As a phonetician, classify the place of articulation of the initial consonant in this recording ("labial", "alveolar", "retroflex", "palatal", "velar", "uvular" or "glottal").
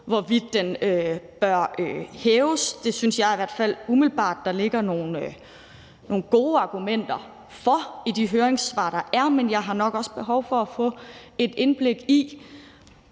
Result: labial